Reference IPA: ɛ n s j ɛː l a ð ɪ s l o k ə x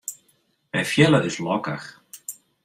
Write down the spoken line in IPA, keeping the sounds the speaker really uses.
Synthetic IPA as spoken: ɛ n f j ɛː l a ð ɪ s l ɔ k a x